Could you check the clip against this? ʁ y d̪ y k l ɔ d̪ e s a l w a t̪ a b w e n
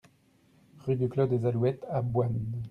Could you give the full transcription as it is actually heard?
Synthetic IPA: ʁ y d̪ y k l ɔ d̪ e z a l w ɛ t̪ a b w a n